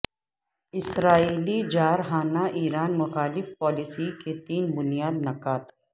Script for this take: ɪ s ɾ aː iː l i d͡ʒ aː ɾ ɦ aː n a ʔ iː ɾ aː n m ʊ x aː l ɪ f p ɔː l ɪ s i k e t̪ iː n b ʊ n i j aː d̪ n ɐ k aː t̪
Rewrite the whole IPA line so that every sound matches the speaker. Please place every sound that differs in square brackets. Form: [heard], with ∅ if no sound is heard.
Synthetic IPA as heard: ɪ s ɾ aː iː l i d͡ʒ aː ɾ ɦ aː n a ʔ iː ɾ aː n m ʊ x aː l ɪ f p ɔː l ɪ s i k e t̪ iː n b ʊ n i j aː d̪ n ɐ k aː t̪